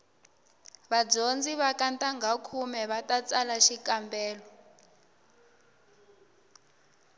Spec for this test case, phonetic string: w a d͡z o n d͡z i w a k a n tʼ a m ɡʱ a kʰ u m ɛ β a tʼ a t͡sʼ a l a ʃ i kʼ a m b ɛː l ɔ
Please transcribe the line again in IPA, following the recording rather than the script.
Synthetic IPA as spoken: β a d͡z o n d͡z i β a k a n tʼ a ŋ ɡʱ a kʰ u m ɛ β a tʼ a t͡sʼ a l a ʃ i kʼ a m b ɛː l ɔ